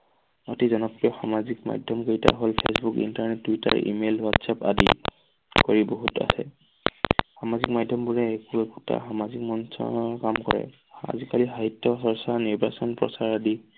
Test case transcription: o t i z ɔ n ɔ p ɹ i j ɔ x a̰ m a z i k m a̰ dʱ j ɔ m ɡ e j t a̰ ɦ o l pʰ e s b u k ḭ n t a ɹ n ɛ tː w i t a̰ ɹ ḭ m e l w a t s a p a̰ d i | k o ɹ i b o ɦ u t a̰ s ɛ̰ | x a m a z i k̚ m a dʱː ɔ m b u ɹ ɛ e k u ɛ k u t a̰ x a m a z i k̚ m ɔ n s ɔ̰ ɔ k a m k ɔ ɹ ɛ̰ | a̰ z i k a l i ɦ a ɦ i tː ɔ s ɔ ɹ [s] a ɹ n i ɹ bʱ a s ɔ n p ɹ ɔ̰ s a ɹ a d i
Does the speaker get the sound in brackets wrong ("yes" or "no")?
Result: no